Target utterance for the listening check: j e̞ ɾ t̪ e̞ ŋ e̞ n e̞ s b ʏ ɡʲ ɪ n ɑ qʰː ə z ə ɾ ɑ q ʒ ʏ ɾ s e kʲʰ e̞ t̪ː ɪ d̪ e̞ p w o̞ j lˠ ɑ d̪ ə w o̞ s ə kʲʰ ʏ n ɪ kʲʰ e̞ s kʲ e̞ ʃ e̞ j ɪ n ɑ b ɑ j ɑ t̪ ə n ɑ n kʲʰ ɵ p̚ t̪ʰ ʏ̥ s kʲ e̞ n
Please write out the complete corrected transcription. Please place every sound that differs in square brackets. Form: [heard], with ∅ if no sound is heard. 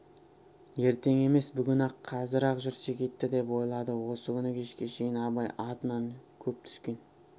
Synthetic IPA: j e̞ ɾ t̪ e̞ ŋ e̞ [m] e̞ s b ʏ ɡʲ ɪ n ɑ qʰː [ɑ] z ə ɾ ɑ q ʒ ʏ ɾ s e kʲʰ e̞ t̪ː ɪ d̪ e̞ p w o̞ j lˠ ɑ d̪ ə w o̞ s ə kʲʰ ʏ n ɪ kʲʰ e̞ [ʃ] kʲ e̞ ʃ e̞ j ɪ n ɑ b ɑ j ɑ t̪ ə n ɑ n kʲʰ ɵ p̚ t̪ʰ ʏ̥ s kʲ e̞ n